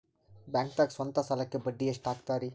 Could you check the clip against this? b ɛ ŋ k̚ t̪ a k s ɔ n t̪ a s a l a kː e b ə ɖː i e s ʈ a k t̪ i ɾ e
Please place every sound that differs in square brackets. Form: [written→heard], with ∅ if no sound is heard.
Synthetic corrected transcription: b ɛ ŋ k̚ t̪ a k s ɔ n t̪ a s a l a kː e b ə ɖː i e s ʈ a k t̪ [i→a] ɾ [e→i]